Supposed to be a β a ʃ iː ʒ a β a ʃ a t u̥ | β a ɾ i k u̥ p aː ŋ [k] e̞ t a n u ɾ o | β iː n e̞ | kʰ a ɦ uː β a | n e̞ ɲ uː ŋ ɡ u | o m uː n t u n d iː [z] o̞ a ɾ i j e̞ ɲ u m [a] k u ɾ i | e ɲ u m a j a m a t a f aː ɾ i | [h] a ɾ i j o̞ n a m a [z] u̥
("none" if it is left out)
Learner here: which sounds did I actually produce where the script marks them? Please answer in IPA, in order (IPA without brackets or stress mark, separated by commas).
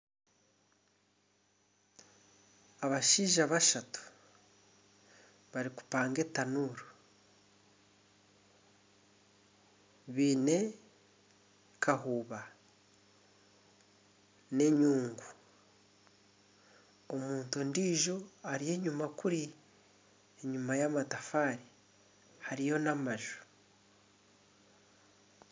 ɡ, ʒ, a, h, ʒ